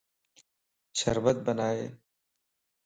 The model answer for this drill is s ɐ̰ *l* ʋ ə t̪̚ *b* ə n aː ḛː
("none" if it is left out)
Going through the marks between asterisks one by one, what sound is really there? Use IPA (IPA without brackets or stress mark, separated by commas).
ɾ, b